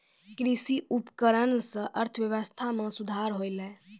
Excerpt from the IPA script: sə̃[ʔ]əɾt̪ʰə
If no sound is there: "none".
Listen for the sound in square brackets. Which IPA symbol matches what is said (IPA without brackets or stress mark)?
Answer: ʔ